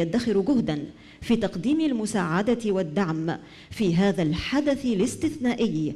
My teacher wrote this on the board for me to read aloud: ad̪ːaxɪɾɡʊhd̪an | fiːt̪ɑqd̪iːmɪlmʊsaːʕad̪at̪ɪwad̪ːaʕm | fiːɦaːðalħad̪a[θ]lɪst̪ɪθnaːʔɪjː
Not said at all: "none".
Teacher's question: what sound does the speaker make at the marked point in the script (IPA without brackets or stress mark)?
θ